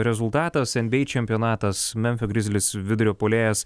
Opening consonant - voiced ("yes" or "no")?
yes